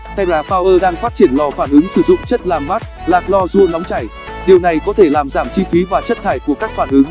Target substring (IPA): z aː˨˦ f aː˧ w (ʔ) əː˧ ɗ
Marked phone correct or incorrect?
correct